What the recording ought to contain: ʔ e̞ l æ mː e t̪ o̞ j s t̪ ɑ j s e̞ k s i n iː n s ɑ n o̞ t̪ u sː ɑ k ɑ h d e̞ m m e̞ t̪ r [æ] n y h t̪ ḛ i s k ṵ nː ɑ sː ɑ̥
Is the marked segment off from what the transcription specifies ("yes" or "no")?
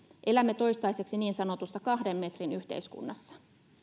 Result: yes